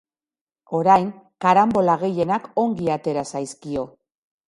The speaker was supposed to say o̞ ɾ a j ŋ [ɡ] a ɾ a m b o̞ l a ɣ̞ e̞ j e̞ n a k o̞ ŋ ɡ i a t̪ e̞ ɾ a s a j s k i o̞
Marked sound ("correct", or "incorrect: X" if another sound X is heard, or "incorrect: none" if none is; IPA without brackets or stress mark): incorrect: k